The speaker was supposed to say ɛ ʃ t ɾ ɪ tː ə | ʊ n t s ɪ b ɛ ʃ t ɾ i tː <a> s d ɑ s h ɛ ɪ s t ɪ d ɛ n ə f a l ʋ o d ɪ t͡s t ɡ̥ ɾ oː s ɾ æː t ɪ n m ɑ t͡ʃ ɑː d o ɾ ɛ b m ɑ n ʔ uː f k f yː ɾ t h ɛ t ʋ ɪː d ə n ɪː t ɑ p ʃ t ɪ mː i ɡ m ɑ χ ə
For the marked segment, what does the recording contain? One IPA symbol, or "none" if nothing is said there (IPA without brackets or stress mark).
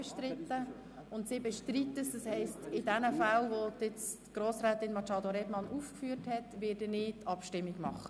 ə